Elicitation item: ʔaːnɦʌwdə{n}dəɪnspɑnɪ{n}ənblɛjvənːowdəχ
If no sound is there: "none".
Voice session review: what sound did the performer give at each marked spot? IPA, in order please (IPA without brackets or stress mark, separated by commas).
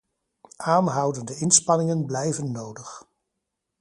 n, ŋ